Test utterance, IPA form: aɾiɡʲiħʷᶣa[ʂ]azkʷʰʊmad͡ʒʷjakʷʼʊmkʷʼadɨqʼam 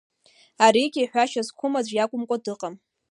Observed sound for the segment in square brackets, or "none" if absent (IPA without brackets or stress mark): ʃ